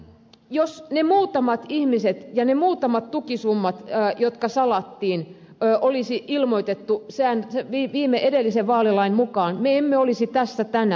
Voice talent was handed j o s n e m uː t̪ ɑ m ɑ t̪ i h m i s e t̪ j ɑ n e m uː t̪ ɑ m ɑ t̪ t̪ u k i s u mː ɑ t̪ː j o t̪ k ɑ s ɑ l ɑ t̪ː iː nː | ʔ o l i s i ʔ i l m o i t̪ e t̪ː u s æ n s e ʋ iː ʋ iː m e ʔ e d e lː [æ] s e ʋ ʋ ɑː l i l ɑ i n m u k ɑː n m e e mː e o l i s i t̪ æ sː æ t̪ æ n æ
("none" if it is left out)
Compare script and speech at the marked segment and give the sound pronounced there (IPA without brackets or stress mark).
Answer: i